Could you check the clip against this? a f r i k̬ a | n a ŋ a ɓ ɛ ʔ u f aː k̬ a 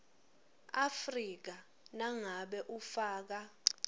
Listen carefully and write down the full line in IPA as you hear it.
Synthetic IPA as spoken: a f r i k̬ a | n a ŋ a ɓ ɛ ʔ u f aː k̬ a